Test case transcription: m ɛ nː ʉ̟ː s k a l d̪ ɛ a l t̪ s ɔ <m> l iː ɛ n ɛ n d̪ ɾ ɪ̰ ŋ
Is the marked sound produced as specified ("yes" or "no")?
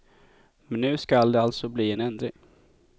no